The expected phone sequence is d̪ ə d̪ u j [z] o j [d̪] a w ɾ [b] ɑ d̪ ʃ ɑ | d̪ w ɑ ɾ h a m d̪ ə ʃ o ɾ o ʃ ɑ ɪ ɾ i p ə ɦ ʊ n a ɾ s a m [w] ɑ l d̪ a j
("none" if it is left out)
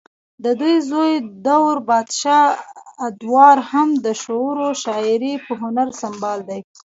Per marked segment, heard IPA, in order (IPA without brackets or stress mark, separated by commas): z, d̪, b, b